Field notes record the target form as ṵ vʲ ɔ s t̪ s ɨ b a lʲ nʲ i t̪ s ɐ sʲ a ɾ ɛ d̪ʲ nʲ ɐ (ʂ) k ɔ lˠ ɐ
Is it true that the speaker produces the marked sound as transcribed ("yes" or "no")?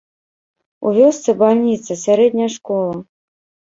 yes